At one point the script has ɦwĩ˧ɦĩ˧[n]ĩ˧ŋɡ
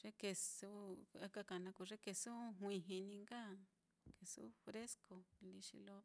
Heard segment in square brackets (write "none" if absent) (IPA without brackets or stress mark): n